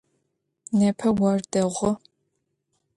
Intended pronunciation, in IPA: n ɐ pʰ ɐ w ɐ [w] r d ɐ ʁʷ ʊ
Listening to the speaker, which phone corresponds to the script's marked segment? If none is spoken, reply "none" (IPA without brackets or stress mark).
none